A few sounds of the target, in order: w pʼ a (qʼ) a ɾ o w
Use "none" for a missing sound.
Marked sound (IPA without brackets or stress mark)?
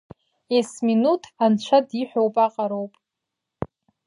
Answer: qʼ